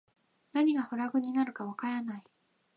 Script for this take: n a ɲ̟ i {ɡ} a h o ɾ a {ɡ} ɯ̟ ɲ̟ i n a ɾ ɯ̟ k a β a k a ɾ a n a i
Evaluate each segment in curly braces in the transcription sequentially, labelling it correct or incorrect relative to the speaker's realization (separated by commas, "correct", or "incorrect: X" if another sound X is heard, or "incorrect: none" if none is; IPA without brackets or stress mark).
correct, correct